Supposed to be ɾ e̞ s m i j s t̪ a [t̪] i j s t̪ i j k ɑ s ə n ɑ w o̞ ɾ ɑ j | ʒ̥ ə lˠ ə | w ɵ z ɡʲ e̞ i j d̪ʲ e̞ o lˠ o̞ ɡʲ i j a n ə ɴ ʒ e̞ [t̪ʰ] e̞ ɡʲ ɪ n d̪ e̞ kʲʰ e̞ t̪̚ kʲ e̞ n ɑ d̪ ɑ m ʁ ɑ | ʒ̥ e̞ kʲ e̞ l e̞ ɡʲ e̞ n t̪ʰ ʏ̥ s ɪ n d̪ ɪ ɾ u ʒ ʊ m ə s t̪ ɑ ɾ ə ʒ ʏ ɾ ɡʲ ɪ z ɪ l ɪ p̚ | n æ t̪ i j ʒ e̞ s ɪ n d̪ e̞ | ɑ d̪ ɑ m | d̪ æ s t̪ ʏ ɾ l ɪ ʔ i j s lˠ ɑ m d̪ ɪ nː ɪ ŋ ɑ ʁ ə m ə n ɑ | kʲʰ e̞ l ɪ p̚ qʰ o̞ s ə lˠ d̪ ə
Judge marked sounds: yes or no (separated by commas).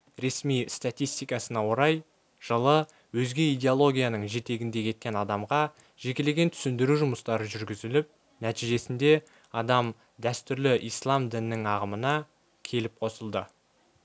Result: yes, no